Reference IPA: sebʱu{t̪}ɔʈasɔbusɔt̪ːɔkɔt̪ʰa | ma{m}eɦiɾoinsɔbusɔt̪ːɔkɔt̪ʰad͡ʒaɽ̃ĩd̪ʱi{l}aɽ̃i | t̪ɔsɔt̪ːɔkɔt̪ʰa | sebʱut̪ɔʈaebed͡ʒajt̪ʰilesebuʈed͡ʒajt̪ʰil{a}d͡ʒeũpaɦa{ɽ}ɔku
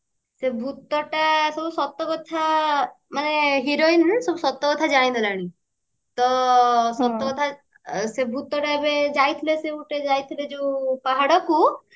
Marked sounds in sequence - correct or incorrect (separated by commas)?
correct, incorrect, correct, incorrect, correct